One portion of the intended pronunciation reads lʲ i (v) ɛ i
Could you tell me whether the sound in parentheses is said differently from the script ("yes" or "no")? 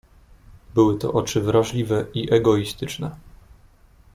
no